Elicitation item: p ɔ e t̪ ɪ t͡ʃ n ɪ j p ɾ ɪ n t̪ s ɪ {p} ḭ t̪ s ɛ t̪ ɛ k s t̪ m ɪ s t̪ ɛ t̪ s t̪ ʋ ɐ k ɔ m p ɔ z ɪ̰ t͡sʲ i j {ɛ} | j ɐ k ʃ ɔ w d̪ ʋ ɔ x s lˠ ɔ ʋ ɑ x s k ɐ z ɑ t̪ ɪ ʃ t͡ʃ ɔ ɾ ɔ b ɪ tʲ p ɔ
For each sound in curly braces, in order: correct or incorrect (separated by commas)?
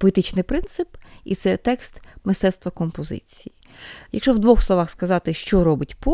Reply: correct, incorrect